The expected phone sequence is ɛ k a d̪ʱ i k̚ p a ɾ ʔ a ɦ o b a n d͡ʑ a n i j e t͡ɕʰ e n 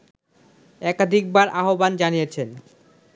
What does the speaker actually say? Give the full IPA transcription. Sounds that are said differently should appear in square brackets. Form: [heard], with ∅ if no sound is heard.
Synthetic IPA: ɛ k a d̪ʱ i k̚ [b] a ɾ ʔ a ɦ o b a n d͡ʑ a n i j e t͡ɕʰ e n